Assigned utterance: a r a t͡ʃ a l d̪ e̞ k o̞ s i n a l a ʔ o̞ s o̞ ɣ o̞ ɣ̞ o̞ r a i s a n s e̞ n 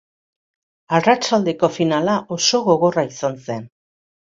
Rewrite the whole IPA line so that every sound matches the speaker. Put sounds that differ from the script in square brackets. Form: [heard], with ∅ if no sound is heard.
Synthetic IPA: a r a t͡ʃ a l d̪ e̞ k o̞ [f] i n a l a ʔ o̞ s o̞ ɣ o̞ ɣ̞ o̞ r a i s a n s e̞ n

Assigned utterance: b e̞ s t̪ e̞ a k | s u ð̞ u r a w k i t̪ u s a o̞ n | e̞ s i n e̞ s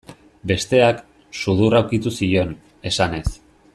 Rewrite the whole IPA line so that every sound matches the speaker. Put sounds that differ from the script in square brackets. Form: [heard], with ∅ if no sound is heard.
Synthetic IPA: b e̞ s t̪ e̞ a k | s u ð̞ u r a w k i t̪ u s [i] o̞ n | e̞ s [a] n e̞ s

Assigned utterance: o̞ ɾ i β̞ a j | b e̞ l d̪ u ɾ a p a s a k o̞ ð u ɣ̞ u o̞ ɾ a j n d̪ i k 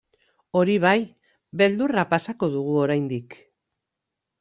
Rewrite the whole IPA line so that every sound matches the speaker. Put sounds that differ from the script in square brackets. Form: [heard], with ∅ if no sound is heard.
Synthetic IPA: o̞ ɾ i β̞ a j | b e̞ l d̪ u [r] a p a s a k o̞ ð u ɣ̞ u o̞ ɾ a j n d̪ i k

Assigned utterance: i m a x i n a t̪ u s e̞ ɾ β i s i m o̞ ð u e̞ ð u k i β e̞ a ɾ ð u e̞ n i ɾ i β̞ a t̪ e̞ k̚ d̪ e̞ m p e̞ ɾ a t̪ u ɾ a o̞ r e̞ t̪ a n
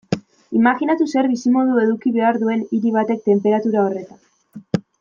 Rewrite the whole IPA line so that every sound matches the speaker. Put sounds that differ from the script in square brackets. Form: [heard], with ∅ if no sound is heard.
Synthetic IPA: i m a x i n a t̪ u s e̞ ɾ β i s i m o̞ ð u e̞ ð u k i β e̞ a ɾ ð u e̞ n i ɾ i β̞ a t̪ e̞ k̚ [t̪] e̞ m p e̞ ɾ a t̪ u ɾ a o̞ r e̞ t̪ a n

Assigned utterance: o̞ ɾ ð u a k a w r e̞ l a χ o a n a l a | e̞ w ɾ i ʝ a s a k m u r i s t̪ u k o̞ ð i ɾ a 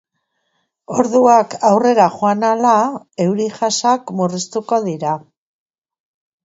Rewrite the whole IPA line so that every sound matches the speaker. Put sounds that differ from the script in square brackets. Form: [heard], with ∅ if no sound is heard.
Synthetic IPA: o̞ ɾ ð u a k a w r e̞ [ɾ] a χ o a n a l a | e̞ w ɾ i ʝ a s a k m u r i s t̪ u k o̞ ð i ɾ a

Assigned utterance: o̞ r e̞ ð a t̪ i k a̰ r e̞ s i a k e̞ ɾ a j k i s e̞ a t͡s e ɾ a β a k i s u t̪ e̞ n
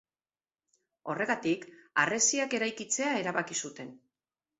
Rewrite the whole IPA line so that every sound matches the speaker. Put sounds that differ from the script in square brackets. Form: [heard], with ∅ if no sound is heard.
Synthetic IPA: o̞ r e̞ [ɣ] a t̪ i k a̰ r e̞ s i a k e̞ ɾ a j k i [t͡s] e̞ a [∅] e ɾ a β a k i s u t̪ e̞ n

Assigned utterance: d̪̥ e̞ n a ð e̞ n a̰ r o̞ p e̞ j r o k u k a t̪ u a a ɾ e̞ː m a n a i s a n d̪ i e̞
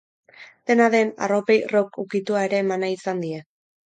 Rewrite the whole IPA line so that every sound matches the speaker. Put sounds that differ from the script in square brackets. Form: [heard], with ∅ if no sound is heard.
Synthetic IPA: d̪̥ e̞ n a ð e̞ n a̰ r o̞ p e̞ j r o k u k [i] t̪ u a [e] ɾ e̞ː m a n a i s a n d̪ i e̞

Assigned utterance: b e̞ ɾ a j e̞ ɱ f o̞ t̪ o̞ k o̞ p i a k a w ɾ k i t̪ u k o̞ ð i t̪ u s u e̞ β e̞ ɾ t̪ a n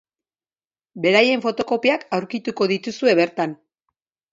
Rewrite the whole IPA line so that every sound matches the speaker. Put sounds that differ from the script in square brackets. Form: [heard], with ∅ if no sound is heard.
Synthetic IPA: b e̞ ɾ a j e̞ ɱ f o̞ t̪ o̞ k o̞ p i a k a w ɾ k i t̪ u k o̞ ð i t̪ u s u e̞ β e̞ ɾ t̪ a n

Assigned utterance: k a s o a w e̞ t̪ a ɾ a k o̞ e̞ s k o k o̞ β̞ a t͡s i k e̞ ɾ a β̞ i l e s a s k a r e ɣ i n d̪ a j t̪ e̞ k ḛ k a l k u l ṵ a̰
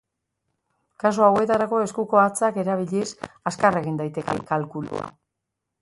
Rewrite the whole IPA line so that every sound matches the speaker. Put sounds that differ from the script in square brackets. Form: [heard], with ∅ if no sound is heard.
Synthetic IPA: k a s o a w e̞ t̪ a ɾ a k o̞ e̞ s k [u] k o̞ [∅] a t͡s [a] k e̞ ɾ a β̞ i [ʎ] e s a s k a r e ɣ i n d̪ a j t̪ e̞ k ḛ k a l k u l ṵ a̰

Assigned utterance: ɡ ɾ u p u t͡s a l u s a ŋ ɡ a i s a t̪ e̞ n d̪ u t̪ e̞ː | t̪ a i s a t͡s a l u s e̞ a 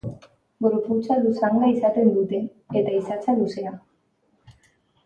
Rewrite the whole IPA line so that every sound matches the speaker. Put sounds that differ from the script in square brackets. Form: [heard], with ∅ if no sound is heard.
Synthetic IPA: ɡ ɾ u p u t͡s a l u s a ŋ ɡ a i s a t̪ e̞ n d̪ u t̪ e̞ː | t̪ a i s a t͡s a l u s e̞ a

